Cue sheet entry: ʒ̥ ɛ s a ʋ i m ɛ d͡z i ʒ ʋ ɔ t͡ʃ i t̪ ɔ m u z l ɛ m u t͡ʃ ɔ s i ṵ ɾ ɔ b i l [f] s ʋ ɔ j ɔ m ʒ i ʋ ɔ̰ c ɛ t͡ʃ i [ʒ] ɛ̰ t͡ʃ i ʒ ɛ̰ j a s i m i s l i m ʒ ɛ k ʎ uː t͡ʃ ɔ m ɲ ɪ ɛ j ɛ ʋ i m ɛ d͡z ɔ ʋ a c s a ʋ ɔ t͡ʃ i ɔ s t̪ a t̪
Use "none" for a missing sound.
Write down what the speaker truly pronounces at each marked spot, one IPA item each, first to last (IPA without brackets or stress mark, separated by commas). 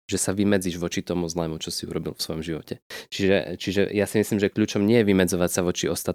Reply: f, ʒ